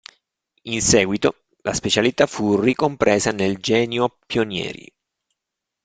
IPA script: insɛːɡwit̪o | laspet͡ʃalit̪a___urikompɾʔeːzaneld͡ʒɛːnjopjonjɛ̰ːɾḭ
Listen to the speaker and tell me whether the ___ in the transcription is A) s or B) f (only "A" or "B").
B